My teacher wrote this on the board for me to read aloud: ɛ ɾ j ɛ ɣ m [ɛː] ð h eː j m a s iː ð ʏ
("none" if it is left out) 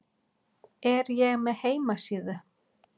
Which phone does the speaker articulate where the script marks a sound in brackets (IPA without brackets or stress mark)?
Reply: ɛ